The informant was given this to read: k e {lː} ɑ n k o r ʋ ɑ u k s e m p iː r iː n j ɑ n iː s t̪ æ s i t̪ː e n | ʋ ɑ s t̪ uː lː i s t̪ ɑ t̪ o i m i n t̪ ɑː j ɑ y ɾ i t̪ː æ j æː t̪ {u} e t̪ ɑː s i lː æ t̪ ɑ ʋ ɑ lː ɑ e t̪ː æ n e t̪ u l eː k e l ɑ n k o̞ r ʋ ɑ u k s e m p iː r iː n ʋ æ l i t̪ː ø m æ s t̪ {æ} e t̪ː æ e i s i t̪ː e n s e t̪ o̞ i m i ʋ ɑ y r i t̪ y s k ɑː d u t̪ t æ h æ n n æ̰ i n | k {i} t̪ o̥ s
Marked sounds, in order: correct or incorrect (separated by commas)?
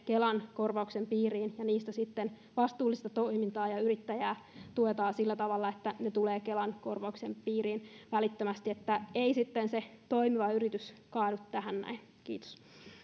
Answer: incorrect, correct, incorrect, incorrect